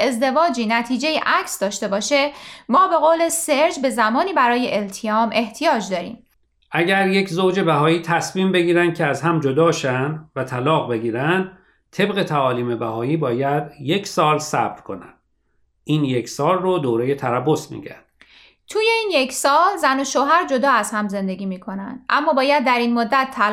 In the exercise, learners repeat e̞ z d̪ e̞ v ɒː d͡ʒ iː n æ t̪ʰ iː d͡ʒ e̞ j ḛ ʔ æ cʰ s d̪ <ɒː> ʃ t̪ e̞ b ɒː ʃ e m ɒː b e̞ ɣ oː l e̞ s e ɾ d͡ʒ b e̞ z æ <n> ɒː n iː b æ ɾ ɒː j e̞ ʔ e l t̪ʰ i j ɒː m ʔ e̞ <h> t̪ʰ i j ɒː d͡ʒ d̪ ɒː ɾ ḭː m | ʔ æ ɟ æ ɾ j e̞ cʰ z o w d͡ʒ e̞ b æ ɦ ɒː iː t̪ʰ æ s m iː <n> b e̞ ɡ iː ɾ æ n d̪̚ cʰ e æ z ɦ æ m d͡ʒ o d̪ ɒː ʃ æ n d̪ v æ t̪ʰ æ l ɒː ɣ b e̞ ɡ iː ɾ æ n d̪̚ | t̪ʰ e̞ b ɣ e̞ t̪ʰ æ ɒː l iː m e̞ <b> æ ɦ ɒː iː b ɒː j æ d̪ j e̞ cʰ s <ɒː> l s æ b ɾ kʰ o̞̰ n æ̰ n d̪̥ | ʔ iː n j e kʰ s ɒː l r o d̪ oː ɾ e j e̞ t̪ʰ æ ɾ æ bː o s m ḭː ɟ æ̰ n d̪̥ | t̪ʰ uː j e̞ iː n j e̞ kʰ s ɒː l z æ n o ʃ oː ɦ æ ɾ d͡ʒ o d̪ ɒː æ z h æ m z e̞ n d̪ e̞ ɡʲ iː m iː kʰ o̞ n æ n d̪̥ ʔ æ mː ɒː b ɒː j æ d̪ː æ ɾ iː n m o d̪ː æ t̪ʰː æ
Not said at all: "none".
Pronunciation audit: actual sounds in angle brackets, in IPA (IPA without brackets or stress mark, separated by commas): ɒː, m, h, m, b, ɒː